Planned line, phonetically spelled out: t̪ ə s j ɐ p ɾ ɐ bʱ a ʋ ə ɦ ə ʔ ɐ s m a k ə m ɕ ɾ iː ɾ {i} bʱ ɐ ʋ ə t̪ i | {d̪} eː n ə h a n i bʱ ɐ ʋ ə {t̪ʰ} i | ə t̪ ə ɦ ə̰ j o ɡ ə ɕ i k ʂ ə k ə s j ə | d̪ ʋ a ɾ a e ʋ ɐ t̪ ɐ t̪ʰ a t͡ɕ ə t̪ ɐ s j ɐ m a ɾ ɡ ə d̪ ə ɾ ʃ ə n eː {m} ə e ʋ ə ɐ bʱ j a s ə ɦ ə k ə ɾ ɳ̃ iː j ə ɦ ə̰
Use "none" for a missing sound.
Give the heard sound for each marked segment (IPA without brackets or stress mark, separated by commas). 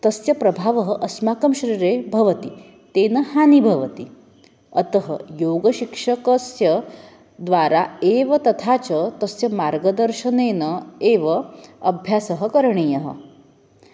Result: e, t̪, t̪, n